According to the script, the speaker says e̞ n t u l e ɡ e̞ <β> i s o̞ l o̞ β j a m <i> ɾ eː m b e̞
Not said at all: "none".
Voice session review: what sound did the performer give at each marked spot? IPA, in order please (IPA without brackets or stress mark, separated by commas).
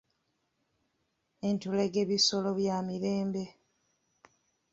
β, i